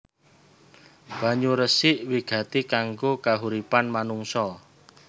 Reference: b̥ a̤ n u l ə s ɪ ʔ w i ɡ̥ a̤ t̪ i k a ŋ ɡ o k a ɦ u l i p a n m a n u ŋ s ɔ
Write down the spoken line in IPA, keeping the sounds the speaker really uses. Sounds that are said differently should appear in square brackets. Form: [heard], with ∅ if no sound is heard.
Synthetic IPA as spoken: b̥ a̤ [ɲ] u [ɾ] ə s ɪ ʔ w i ɡ̥ a̤ t̪ i k a ŋ ɡ o k a ɦ u [ɾ] i p a n m a n u ŋ s ɔ